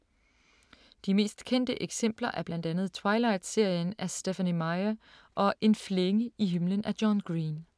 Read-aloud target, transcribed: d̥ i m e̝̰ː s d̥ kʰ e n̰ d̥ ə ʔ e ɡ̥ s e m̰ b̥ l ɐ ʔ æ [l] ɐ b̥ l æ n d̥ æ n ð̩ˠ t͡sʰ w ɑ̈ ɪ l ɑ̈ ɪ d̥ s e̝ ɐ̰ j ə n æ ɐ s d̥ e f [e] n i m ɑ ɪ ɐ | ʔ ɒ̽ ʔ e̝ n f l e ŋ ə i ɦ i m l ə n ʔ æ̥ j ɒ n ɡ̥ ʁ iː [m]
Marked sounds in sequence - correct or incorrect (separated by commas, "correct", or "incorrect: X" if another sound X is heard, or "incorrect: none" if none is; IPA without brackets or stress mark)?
incorrect: none, incorrect: æ, incorrect: n